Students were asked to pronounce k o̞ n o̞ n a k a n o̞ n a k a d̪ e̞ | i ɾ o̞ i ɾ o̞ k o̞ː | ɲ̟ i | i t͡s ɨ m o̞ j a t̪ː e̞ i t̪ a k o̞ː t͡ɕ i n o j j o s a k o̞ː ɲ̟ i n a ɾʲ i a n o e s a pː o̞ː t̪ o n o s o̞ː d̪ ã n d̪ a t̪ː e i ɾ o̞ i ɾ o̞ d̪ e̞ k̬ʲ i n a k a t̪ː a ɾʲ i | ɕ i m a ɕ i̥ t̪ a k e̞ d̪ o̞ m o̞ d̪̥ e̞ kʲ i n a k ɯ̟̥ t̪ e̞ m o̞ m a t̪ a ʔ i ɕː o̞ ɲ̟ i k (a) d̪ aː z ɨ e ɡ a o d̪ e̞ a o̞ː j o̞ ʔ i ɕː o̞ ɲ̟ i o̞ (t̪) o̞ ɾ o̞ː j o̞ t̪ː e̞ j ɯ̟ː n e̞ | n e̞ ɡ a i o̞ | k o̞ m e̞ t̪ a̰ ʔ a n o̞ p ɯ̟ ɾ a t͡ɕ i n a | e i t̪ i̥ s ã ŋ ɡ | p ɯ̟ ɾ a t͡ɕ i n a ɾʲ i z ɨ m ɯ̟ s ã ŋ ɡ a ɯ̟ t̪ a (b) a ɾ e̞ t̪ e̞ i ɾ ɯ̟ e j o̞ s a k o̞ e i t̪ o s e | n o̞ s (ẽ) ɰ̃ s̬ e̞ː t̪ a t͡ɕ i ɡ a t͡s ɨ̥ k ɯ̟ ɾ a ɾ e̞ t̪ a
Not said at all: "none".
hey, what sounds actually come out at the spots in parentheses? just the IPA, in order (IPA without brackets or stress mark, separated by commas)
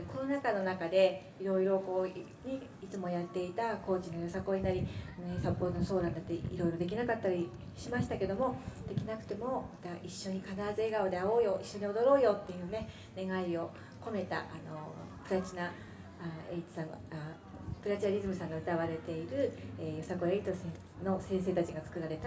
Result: a, d̪, β, ẽ